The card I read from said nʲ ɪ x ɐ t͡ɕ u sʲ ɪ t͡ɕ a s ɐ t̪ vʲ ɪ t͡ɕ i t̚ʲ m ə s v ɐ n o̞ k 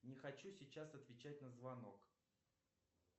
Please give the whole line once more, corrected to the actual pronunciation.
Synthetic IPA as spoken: nʲ ɪ x ɐ t͡ɕ u sʲ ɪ t͡ɕ a s ɐ t̪ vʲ ɪ t͡ɕ æ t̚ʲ n ə z v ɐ n o̞ k